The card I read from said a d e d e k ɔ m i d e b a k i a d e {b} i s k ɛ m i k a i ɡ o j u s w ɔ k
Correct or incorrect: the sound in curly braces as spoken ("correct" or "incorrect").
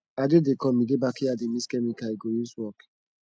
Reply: incorrect